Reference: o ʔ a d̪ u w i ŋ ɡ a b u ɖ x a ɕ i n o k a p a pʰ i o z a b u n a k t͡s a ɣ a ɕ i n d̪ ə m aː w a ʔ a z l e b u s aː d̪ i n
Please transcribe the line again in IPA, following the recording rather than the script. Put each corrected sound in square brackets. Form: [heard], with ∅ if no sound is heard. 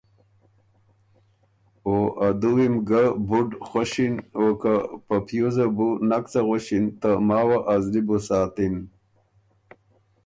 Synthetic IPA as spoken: o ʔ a d̪ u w i [m] ɡ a b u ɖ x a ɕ i n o k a p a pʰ [j] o z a b u n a k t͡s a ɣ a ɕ i n [t̪] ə m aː w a ʔ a z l [i] b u s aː [t̪] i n

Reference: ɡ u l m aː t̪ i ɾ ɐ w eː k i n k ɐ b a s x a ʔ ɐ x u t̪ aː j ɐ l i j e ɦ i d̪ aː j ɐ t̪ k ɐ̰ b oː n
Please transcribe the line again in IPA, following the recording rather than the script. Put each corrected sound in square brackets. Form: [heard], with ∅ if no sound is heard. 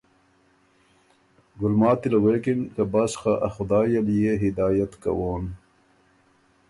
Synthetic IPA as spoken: ɡ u l m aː t̪ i [l] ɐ w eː k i n k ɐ b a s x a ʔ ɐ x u [d̪] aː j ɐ l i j e ɦ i d̪ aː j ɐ t̪ k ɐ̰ [w] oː n

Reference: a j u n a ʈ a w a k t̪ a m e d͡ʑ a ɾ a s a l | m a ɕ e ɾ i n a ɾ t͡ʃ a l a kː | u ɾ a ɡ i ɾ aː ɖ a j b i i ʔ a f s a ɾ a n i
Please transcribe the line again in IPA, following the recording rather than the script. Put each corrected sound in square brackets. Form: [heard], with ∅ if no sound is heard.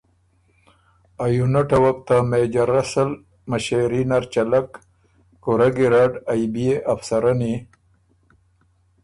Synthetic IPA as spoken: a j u n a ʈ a w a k t̪ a m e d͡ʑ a ɾ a s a l | m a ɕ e ɾ i n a ɾ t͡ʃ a l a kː | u ɾ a ɡ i ɾ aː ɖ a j b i [e] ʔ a f s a ɾ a n i

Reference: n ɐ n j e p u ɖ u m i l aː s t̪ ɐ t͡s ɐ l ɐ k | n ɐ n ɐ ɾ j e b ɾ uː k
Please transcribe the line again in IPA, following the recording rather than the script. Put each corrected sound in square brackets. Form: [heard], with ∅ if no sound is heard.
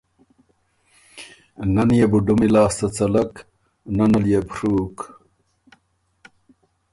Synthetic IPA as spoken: n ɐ n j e [b] u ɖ u m i l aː s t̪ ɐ t͡s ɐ l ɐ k | n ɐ n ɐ [l] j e b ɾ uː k

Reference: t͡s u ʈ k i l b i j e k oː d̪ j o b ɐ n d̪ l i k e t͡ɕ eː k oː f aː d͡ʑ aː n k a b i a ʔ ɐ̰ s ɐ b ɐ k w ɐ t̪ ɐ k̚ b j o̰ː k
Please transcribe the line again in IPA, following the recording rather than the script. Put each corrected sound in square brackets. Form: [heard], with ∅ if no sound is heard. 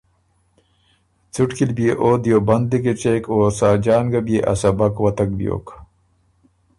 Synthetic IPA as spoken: t͡s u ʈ k i l b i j e [ʔ] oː d̪ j o b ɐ n d̪ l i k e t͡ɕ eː k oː [s] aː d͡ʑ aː n [ɡ] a b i [e] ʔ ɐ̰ s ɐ b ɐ k w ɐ t̪ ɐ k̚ b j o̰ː k

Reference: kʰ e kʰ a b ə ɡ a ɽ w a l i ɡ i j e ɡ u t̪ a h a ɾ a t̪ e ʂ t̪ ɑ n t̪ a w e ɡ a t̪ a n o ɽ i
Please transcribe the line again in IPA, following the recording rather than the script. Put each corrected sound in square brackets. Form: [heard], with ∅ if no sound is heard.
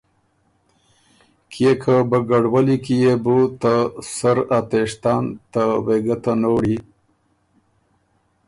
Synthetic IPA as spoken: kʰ e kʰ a b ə ɡ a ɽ w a l i [k] i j e [b] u t̪ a [s] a ɾ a t̪ e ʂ t̪ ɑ n t̪ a w e ɡ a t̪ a n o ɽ i

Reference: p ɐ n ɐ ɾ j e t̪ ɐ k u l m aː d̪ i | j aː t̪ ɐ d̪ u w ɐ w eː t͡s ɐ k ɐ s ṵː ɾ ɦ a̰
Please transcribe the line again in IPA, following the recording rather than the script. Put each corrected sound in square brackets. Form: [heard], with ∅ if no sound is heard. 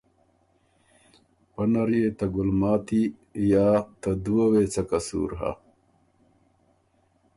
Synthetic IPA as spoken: p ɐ n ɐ ɾ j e t̪ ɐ [ɡ] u l m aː [t̪] i | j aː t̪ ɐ d̪ u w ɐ w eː t͡s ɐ k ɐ s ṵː ɾ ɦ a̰

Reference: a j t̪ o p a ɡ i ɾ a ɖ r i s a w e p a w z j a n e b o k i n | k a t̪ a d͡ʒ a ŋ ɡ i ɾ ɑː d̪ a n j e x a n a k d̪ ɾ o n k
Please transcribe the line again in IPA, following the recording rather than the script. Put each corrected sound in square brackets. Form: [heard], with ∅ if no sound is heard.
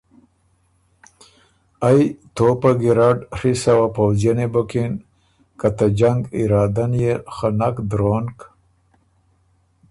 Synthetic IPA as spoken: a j t̪ o p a ɡ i ɾ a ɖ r i s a w [a] p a w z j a n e b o k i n | k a t̪ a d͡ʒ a ŋ ɡ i ɾ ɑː d̪ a n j e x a n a k d̪ ɾ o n k

